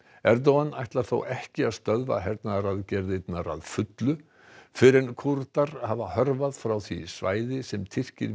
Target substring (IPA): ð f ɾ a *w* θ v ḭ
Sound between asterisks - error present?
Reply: no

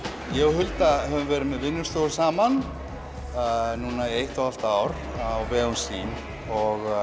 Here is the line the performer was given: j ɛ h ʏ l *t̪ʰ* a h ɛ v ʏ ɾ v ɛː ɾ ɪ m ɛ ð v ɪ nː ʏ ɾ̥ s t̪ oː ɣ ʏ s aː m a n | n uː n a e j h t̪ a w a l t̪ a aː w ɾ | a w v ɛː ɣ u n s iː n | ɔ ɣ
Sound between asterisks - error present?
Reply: yes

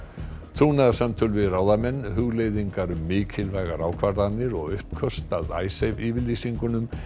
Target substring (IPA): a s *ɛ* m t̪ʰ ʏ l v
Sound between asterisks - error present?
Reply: yes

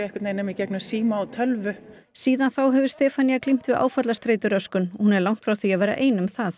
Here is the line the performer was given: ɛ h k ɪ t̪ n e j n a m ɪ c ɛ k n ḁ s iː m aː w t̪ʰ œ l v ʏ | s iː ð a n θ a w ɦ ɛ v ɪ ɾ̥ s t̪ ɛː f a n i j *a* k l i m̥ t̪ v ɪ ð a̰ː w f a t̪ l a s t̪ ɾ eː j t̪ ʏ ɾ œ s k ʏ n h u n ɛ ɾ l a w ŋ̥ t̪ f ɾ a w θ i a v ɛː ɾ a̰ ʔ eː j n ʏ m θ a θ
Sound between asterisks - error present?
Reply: no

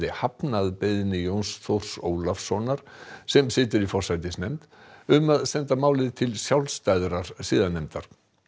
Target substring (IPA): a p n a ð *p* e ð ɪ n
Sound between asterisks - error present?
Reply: no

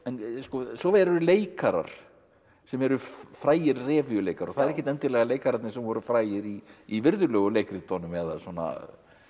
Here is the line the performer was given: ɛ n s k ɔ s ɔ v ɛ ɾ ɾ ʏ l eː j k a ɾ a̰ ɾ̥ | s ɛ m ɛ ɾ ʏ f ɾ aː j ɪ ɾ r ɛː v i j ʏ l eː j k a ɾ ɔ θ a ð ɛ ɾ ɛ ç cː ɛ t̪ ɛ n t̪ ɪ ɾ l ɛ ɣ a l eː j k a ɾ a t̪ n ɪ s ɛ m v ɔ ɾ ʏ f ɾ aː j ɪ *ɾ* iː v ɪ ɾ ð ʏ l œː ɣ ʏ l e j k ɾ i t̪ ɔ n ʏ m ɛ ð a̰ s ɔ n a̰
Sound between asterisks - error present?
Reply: no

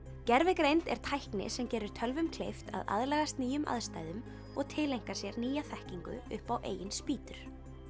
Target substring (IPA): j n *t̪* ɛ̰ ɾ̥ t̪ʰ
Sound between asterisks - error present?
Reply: no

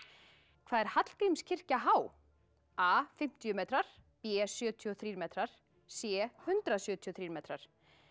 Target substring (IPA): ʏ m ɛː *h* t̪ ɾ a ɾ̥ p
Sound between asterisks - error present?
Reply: yes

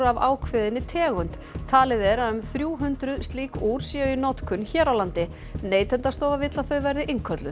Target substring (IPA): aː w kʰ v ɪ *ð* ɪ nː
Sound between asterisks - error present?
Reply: no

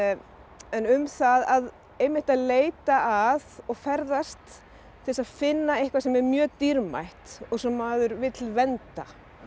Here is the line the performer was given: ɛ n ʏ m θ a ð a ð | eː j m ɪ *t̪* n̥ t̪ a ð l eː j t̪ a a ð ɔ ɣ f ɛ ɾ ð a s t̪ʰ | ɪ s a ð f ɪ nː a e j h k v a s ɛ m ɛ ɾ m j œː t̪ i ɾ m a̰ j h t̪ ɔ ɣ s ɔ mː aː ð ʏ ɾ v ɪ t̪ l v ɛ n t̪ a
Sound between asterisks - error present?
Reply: yes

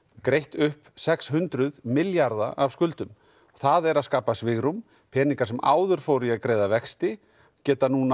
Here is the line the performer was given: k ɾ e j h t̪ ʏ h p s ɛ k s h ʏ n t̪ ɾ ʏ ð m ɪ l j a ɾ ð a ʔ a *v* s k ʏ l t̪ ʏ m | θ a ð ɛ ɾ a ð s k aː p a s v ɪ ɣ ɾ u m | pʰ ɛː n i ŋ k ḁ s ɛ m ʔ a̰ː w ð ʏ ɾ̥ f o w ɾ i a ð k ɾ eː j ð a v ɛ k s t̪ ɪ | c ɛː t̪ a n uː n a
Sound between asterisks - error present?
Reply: no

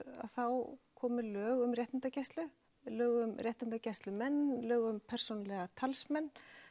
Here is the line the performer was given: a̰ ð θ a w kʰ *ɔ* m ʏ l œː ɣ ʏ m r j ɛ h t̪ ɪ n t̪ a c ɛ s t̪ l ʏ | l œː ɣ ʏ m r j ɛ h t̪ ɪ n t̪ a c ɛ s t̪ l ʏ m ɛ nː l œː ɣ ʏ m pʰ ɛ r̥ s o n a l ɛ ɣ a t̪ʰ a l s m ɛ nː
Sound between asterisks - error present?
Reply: yes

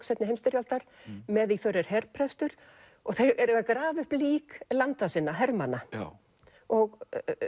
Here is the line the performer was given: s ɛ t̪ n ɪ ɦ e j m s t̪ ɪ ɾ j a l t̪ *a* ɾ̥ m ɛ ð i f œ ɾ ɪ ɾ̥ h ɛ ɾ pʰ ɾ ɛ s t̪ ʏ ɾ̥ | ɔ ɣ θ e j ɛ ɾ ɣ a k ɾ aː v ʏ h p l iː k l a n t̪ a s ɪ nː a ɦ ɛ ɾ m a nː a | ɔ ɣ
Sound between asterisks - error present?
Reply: no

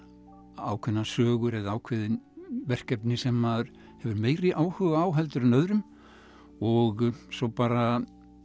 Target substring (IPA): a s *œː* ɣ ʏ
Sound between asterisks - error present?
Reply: no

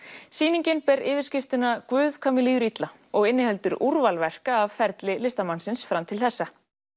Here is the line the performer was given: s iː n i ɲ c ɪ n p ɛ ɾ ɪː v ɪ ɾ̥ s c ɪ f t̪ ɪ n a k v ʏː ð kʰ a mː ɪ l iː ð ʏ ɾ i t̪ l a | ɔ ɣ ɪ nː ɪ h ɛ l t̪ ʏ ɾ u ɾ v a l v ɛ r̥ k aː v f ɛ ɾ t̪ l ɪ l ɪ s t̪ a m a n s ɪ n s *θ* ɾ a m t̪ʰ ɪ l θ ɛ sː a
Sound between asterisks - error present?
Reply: yes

